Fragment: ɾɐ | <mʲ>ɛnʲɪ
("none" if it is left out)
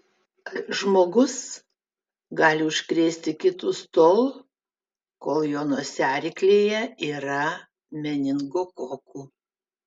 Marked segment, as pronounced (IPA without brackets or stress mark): mʲ